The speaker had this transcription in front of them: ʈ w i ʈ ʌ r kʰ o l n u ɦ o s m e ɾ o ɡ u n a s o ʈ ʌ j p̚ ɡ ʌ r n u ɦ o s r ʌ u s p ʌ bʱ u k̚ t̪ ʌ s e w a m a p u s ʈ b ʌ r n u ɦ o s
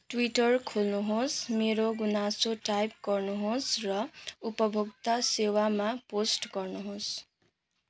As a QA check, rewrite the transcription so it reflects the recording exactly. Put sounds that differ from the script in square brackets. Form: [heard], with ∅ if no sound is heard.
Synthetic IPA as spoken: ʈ w i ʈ ʌ r kʰ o l n u ɦ o s m e ɾ o ɡ u n a s o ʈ [a] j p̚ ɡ ʌ r n u ɦ o s r ʌ u [∅] p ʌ bʱ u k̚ t̪ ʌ s e w a m a p [o] s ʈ [ɡ] ʌ r n u ɦ o s

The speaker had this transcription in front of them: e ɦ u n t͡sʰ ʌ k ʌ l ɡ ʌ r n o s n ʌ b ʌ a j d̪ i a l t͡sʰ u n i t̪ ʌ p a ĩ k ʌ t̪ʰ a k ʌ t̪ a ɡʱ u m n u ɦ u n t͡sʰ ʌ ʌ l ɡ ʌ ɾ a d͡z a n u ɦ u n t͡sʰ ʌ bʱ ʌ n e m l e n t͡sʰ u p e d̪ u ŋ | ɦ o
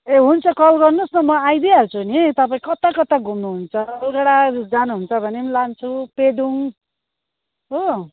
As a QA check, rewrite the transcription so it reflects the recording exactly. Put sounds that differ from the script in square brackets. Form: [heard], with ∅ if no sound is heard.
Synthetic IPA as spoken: e ɦ u n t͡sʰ ʌ k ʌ l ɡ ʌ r n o s n ʌ [m] ʌ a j d̪ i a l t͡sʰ u n i t̪ ʌ p a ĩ k ʌ [t̪] a k ʌ t̪ a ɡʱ u m n u ɦ u n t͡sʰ ʌ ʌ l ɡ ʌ [ɽ] a d͡z a n u ɦ u n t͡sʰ ʌ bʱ ʌ n e m l [a] n t͡sʰ u p e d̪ u ŋ | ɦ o

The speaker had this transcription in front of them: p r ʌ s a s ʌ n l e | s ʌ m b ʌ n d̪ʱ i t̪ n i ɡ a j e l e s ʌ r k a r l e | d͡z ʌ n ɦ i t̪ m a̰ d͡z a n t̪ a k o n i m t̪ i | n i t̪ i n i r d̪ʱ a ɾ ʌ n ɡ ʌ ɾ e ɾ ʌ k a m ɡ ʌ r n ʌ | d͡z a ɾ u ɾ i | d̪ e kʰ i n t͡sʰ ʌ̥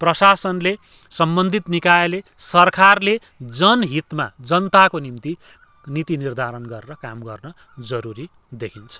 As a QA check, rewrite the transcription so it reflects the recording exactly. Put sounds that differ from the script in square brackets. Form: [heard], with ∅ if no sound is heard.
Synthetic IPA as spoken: p r ʌ s a s ʌ n l e | s ʌ m b ʌ n d̪ʱ i t̪ n i [k] a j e l e s ʌ r k a r l e | d͡z ʌ n ɦ i t̪ m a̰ d͡z [ʌ] n t̪ a k o n i m t̪ i | n i t̪ i n i r d̪ʱ a ɾ ʌ n ɡ ʌ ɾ e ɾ ʌ k a m ɡ ʌ r n ʌ | d͡z [ʌ] ɾ u ɾ i | d̪ e kʰ i n t͡sʰ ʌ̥

